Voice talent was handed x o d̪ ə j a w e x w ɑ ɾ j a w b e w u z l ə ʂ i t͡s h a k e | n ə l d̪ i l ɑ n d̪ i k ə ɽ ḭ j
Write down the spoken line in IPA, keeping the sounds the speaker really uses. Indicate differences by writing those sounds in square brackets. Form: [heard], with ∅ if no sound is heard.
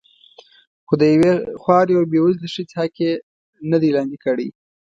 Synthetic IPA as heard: x o d̪ ə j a w e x w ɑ ɾ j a w b e w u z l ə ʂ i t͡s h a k e | n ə [∅] d̪ i l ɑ n d̪ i k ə ɽ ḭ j